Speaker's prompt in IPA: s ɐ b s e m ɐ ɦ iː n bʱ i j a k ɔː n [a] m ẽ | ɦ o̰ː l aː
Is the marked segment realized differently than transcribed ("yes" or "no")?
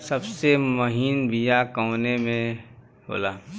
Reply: yes